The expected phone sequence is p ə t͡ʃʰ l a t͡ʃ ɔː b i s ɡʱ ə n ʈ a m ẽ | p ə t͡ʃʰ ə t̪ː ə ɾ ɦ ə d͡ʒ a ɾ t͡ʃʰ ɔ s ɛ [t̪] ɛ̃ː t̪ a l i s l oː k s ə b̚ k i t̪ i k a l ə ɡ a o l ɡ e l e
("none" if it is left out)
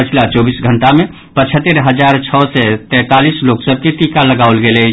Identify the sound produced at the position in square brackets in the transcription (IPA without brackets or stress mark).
t̪